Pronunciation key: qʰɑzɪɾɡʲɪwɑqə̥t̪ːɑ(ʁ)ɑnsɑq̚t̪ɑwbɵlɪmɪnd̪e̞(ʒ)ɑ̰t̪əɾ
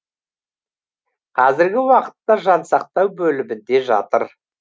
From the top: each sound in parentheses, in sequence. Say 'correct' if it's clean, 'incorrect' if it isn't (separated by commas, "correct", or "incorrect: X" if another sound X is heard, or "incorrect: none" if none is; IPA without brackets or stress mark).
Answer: incorrect: ʒ, correct